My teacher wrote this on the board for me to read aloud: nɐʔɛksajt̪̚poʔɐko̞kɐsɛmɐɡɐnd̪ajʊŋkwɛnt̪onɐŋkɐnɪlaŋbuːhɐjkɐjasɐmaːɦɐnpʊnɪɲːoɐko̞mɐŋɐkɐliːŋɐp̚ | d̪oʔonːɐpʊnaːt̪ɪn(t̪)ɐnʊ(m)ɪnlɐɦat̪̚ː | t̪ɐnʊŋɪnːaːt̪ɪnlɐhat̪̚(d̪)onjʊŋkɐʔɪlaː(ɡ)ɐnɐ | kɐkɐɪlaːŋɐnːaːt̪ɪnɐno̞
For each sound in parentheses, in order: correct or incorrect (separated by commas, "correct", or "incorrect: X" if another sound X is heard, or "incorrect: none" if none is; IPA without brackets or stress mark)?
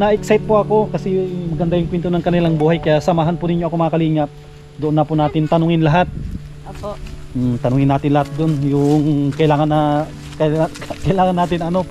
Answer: correct, incorrect: ŋ, correct, incorrect: ŋ